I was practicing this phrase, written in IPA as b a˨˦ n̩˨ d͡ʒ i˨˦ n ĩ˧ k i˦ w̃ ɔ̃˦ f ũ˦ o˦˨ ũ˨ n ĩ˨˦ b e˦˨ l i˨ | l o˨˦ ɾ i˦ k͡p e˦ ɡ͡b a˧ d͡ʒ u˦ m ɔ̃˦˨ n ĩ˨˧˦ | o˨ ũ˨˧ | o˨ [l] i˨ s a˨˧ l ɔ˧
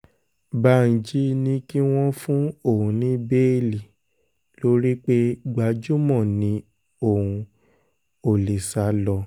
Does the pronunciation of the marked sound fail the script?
no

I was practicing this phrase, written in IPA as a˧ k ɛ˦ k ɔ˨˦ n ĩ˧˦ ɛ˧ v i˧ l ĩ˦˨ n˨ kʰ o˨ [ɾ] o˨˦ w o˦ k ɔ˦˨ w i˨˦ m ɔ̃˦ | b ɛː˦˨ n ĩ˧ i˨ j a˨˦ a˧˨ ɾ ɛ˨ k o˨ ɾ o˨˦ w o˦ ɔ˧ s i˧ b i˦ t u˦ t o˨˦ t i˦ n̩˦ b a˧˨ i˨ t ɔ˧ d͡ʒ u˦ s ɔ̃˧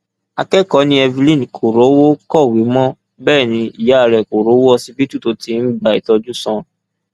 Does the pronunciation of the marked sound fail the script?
no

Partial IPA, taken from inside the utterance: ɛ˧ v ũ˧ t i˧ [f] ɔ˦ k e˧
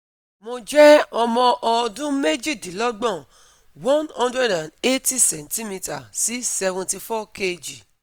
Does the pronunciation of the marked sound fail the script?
no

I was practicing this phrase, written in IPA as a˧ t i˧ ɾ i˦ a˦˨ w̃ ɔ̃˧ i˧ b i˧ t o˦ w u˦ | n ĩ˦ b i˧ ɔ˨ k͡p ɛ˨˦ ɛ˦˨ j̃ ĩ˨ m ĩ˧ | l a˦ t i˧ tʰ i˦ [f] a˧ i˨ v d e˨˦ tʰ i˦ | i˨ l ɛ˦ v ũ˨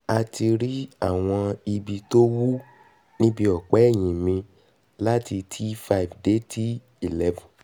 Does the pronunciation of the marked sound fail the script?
no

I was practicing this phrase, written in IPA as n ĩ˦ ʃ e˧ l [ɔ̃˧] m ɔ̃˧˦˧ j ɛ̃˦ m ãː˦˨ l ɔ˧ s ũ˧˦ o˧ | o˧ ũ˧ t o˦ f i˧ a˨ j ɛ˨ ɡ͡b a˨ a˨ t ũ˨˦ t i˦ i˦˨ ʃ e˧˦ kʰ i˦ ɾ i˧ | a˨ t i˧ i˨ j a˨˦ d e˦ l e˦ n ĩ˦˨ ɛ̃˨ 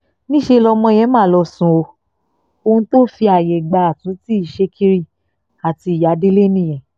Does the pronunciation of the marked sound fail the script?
yes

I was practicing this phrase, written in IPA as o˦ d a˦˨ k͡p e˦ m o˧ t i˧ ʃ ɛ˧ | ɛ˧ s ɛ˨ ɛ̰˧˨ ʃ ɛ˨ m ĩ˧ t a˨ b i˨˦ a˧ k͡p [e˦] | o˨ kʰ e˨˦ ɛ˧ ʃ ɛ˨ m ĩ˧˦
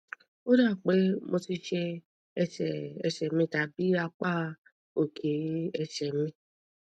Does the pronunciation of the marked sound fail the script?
yes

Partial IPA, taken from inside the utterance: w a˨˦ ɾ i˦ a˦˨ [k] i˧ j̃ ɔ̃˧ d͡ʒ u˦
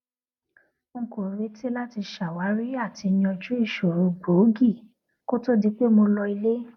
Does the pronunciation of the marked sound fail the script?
yes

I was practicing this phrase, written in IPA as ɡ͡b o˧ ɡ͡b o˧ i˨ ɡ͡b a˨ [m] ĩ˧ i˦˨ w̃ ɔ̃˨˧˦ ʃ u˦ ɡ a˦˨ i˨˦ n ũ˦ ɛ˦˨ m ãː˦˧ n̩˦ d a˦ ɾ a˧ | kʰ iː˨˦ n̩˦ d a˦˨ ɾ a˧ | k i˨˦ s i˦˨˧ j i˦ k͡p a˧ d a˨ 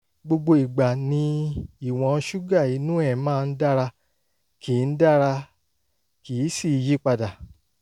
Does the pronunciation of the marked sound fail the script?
yes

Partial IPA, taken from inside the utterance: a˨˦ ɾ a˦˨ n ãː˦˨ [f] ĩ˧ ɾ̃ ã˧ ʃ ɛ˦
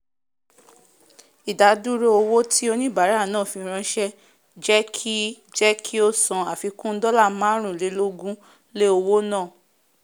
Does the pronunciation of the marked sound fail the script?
no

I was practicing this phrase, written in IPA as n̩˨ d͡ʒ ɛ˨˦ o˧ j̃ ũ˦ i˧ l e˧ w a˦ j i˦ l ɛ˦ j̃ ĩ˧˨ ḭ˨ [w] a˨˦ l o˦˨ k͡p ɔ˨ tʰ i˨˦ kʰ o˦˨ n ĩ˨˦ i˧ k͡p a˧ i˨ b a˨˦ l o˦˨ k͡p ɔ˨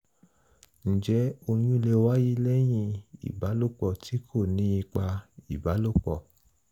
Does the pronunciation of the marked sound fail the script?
yes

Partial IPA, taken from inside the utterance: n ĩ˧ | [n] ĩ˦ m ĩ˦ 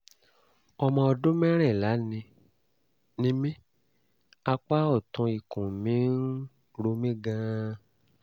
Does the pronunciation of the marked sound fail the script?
no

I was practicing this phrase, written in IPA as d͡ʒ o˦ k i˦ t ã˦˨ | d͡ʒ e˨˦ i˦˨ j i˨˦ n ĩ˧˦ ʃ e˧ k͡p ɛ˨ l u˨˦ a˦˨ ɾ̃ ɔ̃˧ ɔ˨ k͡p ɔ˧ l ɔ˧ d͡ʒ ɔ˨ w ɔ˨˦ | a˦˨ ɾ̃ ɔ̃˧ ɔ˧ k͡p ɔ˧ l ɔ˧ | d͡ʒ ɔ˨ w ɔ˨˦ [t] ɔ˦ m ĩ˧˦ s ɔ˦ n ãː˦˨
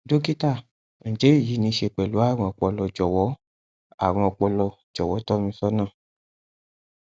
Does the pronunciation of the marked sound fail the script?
no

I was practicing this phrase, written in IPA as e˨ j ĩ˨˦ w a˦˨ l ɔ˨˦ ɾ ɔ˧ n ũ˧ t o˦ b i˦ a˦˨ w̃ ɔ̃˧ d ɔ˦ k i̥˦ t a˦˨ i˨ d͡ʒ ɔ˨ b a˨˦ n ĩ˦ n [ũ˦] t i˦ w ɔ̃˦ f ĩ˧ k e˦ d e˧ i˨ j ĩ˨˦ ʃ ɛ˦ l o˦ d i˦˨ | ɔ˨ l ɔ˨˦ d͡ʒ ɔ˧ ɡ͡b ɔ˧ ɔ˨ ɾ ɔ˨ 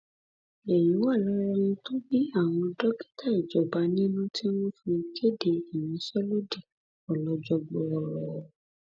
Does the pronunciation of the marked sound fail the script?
no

